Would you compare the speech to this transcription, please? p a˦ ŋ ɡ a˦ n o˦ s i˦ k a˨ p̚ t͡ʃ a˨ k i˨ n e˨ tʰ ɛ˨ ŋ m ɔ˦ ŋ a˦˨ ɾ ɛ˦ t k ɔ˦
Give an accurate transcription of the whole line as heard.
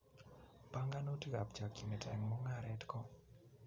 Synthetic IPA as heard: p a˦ ŋ ɡ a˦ n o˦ t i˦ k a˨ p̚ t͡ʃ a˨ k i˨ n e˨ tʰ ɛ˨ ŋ m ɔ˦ ŋ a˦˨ ɾ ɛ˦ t k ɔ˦